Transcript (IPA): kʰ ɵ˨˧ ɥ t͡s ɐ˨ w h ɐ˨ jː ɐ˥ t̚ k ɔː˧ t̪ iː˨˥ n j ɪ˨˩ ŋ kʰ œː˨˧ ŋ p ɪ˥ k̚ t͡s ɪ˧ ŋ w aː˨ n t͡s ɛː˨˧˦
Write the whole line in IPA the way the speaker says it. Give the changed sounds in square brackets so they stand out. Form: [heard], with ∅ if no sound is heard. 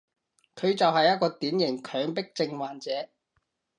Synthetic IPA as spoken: kʰ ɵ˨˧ ɥ t͡s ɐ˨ w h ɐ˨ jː ɐ˥ t̚ k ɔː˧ t̪ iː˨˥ n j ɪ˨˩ ŋ kʰ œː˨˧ ŋ p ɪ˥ k̚ t͡s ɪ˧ ŋ w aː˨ n t͡s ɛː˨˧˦

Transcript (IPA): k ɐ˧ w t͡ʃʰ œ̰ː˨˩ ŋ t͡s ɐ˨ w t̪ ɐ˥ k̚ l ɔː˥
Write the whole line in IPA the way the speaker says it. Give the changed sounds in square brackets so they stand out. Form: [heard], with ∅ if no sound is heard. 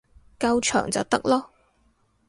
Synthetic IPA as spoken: k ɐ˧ w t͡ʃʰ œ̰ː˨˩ ŋ t͡s ɐ˨ w t̪ ɐ˥ k̚ l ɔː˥

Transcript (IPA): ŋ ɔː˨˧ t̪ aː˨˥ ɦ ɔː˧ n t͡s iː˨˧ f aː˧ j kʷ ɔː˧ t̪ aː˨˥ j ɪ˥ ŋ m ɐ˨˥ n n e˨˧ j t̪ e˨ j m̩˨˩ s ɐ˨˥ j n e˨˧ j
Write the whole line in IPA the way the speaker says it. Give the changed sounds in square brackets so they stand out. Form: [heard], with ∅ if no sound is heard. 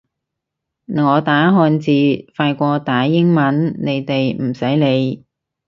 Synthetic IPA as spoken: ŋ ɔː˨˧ t̪ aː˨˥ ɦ ɔː˧ n t͡s iː˨˧ f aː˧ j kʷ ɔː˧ t̪ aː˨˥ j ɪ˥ ŋ m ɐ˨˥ n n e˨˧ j t̪ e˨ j m̩˨˩ s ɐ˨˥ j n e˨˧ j

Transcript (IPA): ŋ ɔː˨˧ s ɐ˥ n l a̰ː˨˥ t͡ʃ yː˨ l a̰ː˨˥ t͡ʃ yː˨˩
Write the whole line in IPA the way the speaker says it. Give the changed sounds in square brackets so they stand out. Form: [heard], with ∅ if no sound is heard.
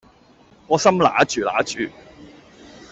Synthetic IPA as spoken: ŋ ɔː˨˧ s ɐ˥ [m] l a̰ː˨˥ t͡ʃ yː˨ l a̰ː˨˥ t͡ʃ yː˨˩

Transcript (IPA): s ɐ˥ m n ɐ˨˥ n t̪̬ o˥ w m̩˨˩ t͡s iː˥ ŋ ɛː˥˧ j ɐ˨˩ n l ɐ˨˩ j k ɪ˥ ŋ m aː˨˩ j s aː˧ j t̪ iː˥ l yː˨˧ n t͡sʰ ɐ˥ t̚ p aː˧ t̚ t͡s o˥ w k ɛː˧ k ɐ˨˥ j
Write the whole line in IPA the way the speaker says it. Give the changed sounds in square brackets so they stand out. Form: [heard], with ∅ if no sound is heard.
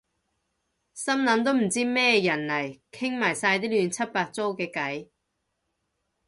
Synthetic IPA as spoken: s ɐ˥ m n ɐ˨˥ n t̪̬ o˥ w m̩˨˩ t͡s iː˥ [m] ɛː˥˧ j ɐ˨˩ n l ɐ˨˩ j [kʰ] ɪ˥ ŋ m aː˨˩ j s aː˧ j t̪ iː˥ l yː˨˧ n t͡sʰ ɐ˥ t̚ p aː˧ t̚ t͡s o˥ w k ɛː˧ k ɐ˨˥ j

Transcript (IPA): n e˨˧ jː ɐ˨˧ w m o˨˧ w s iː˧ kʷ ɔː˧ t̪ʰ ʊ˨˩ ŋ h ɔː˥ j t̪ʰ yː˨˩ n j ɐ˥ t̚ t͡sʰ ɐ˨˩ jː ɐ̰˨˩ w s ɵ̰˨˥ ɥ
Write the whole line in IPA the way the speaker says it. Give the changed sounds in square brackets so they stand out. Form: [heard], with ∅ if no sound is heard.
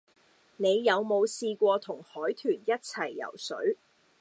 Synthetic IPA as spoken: n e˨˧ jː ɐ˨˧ w m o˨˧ w s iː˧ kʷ ɔː˧ t̪ʰ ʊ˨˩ ŋ h [ɔː˨˥] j t̪ʰ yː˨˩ n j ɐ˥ t̚ t͡sʰ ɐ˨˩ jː ɐ̰˨˩ w s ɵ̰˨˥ ɥ

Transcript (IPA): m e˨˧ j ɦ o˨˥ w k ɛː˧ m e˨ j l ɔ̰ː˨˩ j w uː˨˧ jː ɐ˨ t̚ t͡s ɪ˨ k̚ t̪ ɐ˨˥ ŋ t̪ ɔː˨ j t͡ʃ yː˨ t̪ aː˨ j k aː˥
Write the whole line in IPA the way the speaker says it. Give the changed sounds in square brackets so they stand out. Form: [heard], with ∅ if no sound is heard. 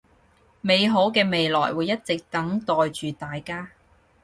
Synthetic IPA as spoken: m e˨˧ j ɦ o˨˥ w k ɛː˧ m e˨ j l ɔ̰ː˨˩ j w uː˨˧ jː [ɐ˥] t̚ t͡s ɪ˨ k̚ t̪ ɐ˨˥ ŋ t̪ ɔː˨ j t͡ʃ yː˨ t̪ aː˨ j k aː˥

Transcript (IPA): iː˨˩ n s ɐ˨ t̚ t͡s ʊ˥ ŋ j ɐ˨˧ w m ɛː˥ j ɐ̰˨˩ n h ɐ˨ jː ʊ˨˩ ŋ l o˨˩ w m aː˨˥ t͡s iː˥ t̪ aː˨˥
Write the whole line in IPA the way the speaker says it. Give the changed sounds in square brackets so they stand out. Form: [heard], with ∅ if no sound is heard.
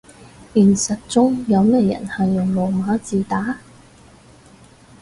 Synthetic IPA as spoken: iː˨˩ n s ɐ˨ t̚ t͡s ʊ˥ ŋ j ɐ˨˧ w m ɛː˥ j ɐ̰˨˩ n h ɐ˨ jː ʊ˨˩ ŋ l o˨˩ w m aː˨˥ t͡s [iː˨] t̪ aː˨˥

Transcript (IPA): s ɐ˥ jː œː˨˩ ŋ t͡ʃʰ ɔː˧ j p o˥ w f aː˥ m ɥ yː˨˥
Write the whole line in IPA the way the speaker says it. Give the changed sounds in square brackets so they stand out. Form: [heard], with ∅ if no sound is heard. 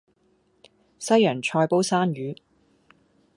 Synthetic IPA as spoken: s ɐ˥ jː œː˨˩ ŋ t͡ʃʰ ɔː˧ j p o˥ w [s] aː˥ [n] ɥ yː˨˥

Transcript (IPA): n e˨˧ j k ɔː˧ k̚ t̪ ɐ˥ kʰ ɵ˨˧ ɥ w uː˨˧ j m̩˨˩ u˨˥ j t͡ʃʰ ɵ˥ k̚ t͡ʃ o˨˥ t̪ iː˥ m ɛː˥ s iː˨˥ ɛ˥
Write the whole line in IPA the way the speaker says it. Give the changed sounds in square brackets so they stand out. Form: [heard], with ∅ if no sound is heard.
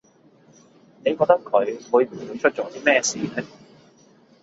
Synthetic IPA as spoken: n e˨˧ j k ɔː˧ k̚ t̪ ɐ˥ kʰ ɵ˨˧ ɥ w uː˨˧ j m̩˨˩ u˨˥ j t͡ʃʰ ɵ˥ [t̚] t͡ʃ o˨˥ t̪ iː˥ m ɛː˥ s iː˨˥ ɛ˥

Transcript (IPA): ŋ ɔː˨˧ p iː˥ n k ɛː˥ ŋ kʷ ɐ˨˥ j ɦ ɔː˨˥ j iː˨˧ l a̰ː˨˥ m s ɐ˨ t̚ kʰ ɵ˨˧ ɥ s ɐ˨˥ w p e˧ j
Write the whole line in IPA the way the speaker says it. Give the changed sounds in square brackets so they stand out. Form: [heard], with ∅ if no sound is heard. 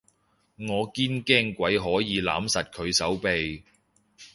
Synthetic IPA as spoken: ŋ ɔː˨˧ [k] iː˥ n k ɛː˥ ŋ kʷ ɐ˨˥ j ɦ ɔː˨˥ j iː˨˧ l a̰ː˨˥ m s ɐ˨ t̚ kʰ ɵ˨˧ ɥ s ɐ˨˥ w p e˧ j

